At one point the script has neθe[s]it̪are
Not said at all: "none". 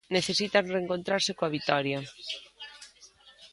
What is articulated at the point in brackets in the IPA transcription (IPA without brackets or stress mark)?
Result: s